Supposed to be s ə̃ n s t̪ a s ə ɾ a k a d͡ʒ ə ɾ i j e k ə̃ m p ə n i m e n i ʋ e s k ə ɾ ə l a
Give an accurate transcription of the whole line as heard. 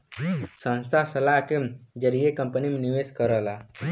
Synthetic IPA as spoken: s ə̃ n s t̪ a s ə l a k e d͡ʒ ə ɾ i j e k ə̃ m p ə n i m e n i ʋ e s k ə ɾ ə l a